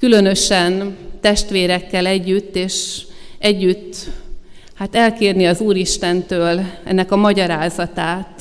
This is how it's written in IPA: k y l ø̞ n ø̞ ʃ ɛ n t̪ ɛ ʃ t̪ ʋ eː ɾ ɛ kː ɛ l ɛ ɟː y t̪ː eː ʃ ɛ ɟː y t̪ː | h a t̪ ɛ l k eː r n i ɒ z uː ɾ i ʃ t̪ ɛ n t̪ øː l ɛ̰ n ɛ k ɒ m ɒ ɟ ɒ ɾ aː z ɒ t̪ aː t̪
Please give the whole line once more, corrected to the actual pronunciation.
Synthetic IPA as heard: k y l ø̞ n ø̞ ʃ ɛ n t̪ ɛ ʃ t̪ ʋ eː ɾ ɛ kː ɛ l ɛ ɟː y t̪ː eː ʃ ɛ ɟː y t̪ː | h a t̪ ɛ l k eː r n i ɒ z uː ɾ i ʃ t̪ ɛ n t̪ øː l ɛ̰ nː ɛ k ɒ m ɒ ɟ ɒ ɾ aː z ɒ t̪ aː t̪